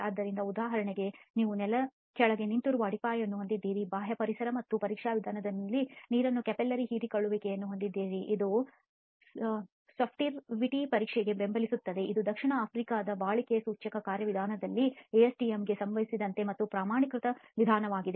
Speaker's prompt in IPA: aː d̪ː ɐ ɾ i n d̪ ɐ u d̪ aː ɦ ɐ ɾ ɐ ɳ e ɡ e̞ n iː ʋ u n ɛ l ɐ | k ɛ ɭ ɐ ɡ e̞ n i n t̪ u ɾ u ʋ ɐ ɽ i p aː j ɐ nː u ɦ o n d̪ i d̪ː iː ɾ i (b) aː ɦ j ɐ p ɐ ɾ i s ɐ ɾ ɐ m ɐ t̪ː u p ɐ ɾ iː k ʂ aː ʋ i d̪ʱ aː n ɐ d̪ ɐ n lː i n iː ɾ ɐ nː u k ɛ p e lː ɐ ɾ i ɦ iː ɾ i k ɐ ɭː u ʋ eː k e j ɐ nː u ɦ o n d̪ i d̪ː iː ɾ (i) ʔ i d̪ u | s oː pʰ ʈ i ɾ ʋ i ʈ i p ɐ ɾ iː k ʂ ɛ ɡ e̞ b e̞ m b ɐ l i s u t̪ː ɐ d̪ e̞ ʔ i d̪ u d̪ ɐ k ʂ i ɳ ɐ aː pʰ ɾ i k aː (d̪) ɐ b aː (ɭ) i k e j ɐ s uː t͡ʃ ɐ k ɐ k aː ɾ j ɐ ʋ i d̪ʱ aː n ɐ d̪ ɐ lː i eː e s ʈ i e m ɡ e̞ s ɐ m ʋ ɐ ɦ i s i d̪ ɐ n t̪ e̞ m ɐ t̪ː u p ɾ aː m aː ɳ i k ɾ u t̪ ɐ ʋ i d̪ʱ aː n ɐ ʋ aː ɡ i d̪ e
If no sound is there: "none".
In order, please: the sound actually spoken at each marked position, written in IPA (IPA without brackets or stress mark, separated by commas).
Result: b, i, d̪, ɭ